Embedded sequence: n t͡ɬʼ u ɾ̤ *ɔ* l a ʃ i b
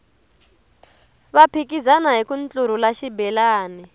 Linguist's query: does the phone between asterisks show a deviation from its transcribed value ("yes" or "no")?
yes